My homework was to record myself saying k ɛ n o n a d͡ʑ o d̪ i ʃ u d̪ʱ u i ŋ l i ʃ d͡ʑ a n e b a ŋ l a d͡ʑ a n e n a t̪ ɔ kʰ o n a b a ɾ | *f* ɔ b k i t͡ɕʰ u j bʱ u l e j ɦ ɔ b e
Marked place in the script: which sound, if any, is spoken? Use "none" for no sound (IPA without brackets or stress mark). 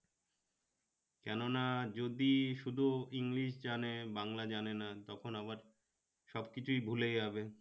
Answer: ʃ